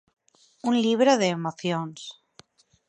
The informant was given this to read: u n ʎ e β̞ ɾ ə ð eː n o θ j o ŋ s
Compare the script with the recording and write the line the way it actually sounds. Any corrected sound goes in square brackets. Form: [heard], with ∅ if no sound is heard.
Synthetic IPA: u n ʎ [i] β̞ ɾ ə ð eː [m] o θ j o [n] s

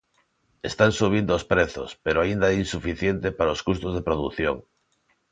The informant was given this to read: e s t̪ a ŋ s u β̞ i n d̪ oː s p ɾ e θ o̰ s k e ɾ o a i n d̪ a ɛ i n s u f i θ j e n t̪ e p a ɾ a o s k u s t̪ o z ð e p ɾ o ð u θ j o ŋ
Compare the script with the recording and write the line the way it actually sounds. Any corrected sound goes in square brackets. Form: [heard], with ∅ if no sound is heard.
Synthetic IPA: e s t̪ a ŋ s u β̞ i n d̪ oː s p ɾ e θ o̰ s [p] e ɾ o a i n d̪ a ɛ i n s u f i θ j e n t̪ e p a ɾ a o s k u s t̪ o z ð e p ɾ o ð u θ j o ŋ

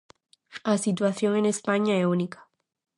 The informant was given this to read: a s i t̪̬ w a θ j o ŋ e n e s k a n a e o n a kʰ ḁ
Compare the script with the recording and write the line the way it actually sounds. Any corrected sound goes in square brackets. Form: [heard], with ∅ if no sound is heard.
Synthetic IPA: a s i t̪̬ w a θ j o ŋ e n e s [p] a [ɲ] a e [u] n [i] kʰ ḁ

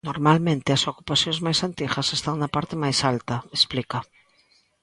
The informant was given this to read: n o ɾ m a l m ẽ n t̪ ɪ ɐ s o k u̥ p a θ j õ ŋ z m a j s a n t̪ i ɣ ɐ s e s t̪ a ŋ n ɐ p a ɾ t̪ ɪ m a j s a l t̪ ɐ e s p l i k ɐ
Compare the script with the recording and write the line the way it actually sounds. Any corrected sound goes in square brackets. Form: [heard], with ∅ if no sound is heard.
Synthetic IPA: n o ɾ m a l m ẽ n t̪ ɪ ɐ s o k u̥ p a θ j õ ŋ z m a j s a n t̪ i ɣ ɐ s e s t̪ a ŋ n ɐ p a ɾ t̪ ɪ m a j s a l t̪ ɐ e s p l i k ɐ

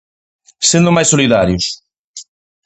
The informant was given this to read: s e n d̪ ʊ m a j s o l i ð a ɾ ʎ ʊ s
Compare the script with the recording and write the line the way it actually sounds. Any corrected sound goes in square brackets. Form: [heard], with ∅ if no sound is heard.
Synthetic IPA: s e n d̪ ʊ m a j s o l i ð a ɾ [j] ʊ s

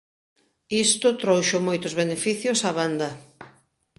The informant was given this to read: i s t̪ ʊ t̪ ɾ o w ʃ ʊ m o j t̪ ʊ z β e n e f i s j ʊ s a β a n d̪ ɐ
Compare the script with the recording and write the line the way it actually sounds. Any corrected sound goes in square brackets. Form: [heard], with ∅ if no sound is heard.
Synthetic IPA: i s t̪ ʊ t̪ ɾ o w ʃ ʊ m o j t̪ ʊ z β e n e f i [θ] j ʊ s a β a n d̪ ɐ

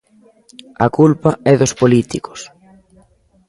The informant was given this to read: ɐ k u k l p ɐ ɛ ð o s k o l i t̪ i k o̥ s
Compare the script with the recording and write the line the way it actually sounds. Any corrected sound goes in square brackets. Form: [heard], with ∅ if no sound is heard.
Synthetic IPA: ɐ k u [∅] l p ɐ ɛ ð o s [p] o l i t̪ i k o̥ s

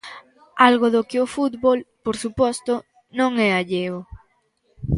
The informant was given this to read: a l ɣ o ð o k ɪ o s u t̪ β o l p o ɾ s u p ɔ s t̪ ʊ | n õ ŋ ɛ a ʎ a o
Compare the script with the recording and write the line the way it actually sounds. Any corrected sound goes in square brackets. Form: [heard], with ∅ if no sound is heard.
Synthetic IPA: a l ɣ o ð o k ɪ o [f] u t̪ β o l p o ɾ s u p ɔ s t̪ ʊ | n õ ŋ ɛ a ʎ [e] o

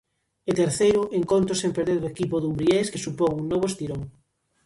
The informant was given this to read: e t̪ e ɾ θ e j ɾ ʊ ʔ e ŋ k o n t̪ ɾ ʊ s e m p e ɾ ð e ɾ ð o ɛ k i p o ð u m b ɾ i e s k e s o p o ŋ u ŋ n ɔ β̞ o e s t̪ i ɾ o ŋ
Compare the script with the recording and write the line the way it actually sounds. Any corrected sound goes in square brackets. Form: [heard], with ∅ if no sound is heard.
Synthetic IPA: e t̪ e ɾ θ e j ɾ ʊ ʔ e ŋ k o n t̪ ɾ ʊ s e m p e ɾ ð e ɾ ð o [e] k i p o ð u m b ɾ i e s k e s [u] p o ŋ u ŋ n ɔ β̞ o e s t̪ i ɾ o ŋ

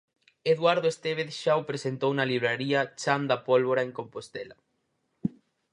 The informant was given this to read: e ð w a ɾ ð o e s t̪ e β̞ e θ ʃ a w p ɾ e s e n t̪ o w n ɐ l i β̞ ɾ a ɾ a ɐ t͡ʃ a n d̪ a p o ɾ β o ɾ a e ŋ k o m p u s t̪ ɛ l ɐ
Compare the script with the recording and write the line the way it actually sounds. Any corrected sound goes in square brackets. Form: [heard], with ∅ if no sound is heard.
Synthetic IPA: e ð w a ɾ ð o e s t̪ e β̞ e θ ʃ a w p ɾ e s e n t̪ o w n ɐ l i β̞ ɾ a ɾ [i] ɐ t͡ʃ a n d̪ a p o [l] β o ɾ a e ŋ k o m p [o] s t̪ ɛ l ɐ

